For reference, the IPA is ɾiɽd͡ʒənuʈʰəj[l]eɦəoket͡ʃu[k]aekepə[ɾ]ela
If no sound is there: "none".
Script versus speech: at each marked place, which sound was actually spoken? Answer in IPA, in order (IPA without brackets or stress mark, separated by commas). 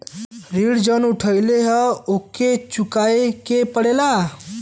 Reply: l, k, ɽ